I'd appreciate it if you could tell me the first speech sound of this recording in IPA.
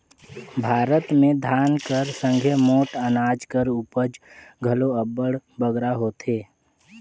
bʱ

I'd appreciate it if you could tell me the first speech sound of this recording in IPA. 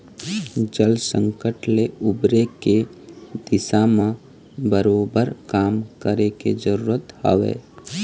d͡ʒ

